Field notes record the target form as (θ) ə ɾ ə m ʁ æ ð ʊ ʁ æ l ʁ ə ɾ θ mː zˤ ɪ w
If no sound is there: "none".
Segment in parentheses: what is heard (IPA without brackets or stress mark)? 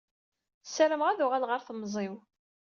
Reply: s